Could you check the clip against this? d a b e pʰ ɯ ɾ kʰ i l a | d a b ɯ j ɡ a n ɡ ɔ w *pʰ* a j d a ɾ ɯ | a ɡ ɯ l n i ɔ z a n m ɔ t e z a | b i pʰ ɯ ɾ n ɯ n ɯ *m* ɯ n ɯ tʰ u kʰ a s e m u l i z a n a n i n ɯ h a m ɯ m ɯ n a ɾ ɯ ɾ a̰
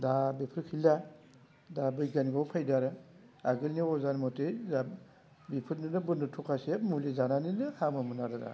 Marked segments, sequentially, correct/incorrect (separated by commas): correct, incorrect